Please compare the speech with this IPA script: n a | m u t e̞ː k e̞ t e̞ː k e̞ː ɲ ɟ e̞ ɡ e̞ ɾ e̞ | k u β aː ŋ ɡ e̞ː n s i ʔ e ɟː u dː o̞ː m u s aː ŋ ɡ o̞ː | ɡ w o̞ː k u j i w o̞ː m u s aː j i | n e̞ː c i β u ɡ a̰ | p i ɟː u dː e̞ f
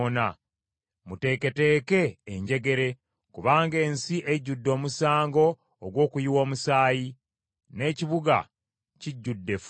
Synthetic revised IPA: n a | m u t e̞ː k e̞ t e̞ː k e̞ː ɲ ɟ e̞ ɡ e̞ ɾ e̞ | k u β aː ŋ ɡ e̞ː n s i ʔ e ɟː u dː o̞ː m u s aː ŋ ɡ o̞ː | ɡ w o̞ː k u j i w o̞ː m u s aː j i | n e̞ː c i β u ɡ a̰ | c i ɟː u dː e̞ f